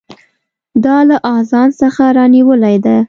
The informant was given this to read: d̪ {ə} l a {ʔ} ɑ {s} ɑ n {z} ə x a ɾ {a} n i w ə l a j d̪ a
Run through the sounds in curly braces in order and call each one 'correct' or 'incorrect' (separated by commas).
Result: incorrect, correct, incorrect, incorrect, incorrect